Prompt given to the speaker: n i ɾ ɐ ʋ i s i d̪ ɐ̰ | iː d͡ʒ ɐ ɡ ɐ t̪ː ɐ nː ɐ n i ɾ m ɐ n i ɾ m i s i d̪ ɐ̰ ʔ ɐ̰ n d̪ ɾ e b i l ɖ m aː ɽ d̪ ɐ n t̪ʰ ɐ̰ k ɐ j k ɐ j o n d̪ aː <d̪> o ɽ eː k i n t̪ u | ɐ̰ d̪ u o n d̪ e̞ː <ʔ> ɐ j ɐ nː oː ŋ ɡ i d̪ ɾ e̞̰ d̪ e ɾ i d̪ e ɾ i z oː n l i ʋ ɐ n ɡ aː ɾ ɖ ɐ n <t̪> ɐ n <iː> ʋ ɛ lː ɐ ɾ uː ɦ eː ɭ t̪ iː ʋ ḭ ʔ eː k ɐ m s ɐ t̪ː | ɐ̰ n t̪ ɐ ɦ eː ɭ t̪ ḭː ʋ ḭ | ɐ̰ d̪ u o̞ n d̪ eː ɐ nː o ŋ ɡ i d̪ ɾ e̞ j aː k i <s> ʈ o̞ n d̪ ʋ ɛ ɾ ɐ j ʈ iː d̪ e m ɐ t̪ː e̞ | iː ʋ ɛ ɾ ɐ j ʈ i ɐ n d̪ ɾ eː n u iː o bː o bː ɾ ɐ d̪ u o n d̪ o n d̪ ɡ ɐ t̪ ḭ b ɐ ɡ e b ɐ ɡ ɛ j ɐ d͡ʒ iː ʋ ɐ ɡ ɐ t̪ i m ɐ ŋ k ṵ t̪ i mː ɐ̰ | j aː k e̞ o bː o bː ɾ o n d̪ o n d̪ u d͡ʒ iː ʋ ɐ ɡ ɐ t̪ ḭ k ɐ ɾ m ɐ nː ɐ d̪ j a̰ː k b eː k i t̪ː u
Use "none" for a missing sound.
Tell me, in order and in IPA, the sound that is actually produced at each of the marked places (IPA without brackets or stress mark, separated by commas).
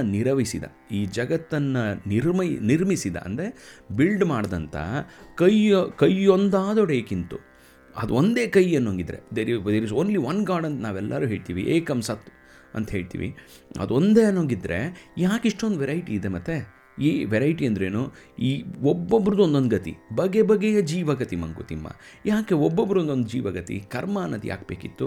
d̪, k, t̪, aː, ʂ